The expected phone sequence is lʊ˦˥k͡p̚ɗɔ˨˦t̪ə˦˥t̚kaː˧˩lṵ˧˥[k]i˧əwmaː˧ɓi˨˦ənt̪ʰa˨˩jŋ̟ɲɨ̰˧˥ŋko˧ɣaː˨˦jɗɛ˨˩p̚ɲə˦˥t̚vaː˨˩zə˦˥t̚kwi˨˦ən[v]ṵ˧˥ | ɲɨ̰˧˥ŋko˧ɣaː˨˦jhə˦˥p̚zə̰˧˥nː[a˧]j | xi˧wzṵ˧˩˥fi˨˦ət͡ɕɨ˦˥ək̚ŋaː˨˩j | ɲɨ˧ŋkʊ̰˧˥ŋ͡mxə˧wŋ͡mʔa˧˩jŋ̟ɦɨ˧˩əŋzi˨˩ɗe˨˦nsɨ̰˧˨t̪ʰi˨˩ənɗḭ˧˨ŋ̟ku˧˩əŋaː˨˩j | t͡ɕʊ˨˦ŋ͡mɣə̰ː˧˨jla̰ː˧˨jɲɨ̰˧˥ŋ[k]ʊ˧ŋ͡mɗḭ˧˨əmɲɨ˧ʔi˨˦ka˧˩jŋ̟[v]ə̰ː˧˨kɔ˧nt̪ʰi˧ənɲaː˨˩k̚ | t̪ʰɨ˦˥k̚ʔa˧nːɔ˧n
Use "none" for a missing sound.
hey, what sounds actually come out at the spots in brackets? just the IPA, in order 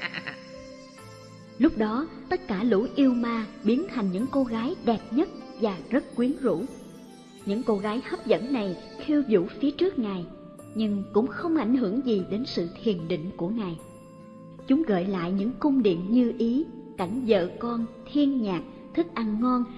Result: ʔ, z, a˨˩, k, z

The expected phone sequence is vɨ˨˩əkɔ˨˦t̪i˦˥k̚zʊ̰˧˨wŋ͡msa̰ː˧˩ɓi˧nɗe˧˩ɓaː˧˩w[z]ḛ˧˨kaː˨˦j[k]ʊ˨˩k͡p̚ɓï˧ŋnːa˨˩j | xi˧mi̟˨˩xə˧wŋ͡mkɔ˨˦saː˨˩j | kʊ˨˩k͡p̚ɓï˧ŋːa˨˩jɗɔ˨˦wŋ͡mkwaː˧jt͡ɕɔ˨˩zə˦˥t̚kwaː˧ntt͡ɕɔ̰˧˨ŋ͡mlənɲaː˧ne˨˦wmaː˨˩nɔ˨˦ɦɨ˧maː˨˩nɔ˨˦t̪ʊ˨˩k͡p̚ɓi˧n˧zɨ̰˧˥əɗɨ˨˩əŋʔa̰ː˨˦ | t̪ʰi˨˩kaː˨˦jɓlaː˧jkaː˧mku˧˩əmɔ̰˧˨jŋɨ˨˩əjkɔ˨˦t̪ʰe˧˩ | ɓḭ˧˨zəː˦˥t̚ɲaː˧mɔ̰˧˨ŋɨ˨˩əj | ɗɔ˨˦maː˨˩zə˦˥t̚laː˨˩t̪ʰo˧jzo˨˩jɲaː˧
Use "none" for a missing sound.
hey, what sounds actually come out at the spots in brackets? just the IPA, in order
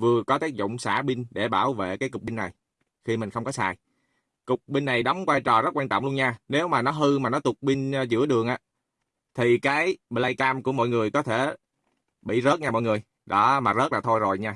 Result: v, k

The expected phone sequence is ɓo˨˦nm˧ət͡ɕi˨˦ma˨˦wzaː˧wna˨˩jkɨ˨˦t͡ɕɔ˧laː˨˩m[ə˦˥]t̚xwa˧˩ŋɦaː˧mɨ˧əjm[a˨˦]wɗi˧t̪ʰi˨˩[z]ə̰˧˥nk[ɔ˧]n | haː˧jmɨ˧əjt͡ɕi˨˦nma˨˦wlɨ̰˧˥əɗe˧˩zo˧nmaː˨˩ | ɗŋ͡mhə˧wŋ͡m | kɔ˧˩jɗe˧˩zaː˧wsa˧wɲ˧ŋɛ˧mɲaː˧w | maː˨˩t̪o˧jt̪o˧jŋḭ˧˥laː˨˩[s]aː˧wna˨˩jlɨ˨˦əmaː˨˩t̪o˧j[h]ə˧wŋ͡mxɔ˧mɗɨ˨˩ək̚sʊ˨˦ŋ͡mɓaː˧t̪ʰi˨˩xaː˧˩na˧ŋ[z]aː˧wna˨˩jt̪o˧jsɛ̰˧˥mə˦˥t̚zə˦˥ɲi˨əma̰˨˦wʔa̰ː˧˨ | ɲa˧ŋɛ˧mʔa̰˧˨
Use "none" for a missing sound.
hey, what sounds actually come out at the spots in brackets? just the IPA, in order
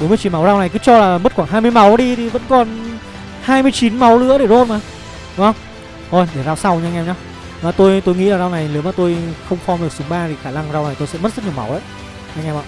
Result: ə˦˥, a˨˦, v, ɔ˨˩, z, x, z

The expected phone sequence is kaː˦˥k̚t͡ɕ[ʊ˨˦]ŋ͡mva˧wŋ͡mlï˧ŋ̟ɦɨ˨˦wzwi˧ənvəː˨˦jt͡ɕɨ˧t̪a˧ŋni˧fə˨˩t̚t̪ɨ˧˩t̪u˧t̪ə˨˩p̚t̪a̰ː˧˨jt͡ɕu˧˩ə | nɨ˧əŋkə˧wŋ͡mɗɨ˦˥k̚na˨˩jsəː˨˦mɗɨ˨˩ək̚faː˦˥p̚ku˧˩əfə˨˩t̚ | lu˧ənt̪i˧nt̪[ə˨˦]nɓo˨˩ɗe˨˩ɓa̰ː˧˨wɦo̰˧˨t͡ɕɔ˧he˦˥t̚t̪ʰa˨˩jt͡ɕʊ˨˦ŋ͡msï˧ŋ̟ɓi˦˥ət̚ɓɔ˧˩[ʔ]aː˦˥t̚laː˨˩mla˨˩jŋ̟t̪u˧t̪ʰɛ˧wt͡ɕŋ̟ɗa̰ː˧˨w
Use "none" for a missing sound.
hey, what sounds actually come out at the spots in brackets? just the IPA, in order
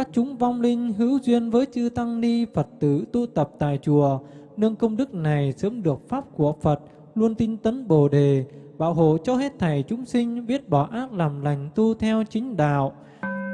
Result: ʊ˨˦, ə˨˦, ʔ

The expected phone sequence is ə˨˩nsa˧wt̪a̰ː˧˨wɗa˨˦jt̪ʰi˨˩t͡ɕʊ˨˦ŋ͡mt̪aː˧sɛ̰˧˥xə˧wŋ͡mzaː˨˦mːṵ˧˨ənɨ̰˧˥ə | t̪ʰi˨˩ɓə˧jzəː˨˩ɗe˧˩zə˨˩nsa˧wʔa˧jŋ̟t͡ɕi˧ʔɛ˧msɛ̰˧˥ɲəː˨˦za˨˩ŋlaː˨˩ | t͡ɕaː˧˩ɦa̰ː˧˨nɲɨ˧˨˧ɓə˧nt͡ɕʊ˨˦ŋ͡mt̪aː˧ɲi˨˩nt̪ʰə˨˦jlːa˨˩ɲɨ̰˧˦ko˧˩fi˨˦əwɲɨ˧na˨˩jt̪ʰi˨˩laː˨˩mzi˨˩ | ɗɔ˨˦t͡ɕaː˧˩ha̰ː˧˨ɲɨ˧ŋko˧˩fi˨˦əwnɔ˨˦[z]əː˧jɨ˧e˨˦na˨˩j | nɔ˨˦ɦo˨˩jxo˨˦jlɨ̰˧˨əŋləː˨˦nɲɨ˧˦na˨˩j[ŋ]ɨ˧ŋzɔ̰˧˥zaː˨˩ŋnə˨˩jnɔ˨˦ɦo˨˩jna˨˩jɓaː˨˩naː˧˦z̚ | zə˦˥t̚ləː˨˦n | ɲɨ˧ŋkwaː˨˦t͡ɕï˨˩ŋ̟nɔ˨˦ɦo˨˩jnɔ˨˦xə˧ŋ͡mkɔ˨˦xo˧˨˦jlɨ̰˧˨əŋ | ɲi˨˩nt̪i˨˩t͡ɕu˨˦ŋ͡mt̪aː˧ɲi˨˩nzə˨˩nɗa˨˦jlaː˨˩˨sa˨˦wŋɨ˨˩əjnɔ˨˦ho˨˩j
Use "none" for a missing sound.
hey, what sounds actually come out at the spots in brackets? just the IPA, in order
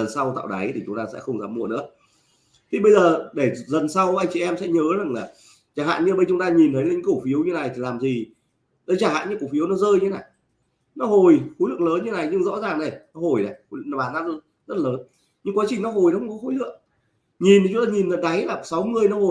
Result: z, ɲ

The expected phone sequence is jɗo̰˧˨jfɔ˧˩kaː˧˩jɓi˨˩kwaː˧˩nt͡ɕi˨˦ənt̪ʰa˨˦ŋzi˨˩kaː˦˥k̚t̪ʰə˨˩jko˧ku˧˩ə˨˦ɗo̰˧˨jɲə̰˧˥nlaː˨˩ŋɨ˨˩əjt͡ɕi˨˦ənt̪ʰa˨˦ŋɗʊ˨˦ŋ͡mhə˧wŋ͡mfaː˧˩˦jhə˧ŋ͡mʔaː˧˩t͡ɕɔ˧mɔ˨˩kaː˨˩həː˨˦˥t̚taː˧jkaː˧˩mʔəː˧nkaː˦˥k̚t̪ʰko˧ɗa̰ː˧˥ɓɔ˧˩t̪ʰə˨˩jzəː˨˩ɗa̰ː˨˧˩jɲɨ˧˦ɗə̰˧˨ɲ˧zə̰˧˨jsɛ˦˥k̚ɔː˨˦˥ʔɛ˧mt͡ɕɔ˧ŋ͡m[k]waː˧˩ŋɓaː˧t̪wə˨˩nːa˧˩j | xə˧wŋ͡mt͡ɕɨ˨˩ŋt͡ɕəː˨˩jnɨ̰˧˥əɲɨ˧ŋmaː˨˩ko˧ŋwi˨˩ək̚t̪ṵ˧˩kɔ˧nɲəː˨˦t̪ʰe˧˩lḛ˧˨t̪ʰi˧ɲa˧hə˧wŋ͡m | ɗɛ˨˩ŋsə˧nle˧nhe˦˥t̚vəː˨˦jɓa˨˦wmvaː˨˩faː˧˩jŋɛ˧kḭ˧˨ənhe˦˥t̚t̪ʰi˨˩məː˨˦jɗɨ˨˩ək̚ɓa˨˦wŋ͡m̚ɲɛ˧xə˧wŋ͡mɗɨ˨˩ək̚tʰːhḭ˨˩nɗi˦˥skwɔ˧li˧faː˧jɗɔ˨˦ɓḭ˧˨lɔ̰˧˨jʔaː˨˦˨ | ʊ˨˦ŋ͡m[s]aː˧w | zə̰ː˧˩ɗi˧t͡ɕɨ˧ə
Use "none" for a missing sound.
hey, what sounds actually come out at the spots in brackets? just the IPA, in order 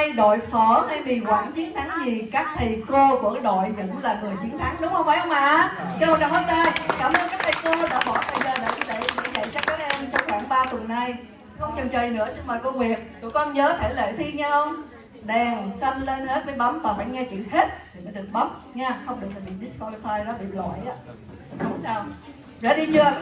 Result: x, s

